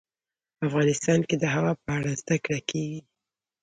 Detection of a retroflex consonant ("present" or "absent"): present